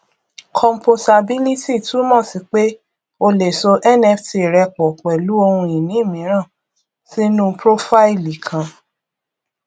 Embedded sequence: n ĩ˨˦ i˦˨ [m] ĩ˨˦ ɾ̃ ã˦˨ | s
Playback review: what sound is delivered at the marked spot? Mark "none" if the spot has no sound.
m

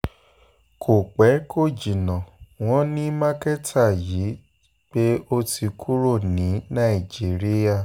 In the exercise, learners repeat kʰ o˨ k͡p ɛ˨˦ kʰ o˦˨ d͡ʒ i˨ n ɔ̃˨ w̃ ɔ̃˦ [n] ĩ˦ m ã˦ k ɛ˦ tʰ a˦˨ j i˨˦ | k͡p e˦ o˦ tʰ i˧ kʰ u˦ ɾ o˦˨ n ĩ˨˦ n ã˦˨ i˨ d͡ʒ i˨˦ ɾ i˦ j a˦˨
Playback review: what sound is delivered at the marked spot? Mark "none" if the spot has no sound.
n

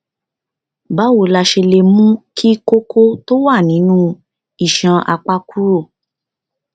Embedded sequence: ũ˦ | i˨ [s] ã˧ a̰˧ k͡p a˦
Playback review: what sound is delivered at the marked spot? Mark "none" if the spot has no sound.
ʃ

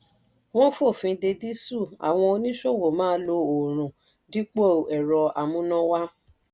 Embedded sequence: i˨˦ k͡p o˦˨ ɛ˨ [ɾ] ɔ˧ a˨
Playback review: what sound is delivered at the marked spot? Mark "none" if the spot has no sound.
ɾ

